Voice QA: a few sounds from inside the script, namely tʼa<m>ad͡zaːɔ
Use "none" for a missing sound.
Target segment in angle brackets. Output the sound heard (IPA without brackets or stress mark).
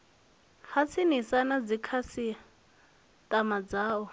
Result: m